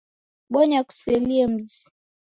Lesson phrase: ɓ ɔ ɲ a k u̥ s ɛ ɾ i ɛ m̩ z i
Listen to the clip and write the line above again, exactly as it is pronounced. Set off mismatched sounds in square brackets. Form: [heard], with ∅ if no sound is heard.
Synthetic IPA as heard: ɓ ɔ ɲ a k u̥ s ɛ [l] i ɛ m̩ z i